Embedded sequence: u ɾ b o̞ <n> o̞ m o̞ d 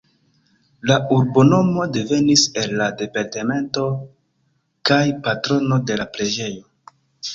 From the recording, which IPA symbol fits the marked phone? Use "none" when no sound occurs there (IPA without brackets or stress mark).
n